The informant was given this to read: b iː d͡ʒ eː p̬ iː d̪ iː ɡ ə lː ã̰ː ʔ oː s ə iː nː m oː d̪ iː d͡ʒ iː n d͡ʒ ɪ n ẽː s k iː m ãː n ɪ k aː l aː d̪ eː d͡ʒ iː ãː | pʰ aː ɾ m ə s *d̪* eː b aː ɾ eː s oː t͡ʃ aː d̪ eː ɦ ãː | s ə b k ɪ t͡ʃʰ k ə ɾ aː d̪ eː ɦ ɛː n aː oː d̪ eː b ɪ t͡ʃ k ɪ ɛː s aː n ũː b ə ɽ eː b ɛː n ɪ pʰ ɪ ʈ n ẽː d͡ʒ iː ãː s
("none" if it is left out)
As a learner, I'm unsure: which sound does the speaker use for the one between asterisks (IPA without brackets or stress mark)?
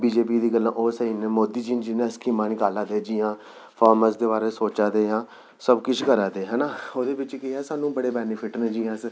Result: d̪